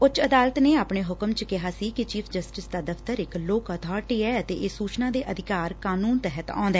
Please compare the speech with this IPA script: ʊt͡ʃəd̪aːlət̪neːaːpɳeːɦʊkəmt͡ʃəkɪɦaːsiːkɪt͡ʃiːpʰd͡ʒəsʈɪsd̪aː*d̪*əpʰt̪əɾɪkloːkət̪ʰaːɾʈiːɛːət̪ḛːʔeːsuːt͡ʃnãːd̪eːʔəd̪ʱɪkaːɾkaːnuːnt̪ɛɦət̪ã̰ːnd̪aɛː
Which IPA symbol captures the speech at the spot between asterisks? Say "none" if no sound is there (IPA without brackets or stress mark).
d̪